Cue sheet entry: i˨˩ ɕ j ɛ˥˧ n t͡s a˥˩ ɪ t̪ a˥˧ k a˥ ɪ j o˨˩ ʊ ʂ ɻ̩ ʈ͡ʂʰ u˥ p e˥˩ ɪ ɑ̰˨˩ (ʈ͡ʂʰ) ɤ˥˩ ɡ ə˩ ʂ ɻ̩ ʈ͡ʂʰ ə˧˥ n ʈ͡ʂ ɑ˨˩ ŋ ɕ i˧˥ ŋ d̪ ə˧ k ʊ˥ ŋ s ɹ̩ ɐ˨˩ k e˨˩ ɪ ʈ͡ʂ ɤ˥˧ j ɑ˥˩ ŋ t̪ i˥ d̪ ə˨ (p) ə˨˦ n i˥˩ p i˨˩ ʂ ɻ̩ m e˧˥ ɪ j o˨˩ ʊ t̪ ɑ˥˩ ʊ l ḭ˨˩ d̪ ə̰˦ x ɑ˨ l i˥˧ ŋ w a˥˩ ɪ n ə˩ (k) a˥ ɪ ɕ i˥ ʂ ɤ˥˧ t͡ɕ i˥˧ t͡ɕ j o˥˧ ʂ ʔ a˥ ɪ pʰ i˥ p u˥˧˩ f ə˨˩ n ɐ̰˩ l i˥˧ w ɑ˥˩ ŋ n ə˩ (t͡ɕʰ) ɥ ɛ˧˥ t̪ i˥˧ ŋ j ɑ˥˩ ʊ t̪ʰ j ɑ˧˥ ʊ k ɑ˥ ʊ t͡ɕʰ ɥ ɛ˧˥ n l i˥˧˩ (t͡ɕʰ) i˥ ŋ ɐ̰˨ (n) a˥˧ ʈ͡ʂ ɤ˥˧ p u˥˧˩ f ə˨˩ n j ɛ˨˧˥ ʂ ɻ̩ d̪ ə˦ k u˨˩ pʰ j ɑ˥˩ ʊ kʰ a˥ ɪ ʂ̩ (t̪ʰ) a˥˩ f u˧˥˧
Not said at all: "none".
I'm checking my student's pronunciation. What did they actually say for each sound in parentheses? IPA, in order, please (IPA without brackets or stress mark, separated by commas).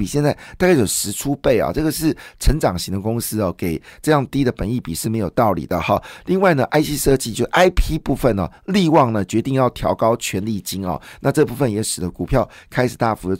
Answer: ʈ͡ʂ, p, ʔ, t͡ɕ, t͡ɕ, n, t̪